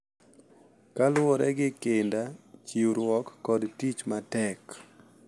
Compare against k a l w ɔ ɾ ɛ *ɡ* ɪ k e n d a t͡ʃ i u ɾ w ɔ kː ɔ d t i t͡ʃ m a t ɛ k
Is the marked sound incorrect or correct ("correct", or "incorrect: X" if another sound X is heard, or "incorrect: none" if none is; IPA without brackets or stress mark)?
correct